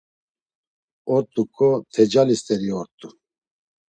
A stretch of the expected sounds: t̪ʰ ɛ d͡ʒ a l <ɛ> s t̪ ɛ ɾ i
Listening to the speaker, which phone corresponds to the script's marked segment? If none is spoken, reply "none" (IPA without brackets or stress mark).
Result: i